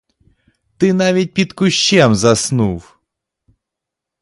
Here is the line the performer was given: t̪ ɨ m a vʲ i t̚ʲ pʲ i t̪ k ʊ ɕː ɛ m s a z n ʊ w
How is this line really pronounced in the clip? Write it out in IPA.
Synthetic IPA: t̪ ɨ n a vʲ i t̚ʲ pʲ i t̪ k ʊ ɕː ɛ m z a s n u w

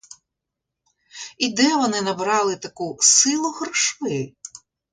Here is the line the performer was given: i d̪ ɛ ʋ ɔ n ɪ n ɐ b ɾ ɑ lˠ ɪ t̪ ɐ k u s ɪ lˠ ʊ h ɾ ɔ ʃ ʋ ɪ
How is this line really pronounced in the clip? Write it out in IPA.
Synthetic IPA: i d̪ ɛ ʋ ɔ n ɪ n ɐ b ɾ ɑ lˠ ɪ t̪ ɐ k u s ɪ lˠ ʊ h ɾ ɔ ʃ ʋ ɪ

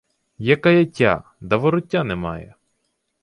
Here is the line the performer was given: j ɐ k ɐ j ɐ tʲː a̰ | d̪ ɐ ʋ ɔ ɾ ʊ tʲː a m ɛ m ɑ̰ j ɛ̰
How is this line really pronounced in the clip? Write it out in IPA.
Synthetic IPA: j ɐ k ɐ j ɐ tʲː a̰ | d̪ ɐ ʋ ɔ ɾ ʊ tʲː a n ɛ m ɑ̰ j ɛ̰

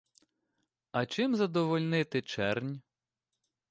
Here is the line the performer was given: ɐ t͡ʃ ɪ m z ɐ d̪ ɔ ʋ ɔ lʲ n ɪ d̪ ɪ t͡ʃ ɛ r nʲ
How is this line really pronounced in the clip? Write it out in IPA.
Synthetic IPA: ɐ t͡ʃ ɪ m z ɐ d̪ ɔ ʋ ɔ lʲ n ɪ t̪ ɪ t͡ʃ ɛ r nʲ

